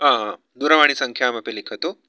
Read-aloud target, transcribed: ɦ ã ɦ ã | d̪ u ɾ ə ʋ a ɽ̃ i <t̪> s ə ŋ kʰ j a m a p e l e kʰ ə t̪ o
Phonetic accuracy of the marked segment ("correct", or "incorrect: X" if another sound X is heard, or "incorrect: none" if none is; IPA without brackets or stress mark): incorrect: none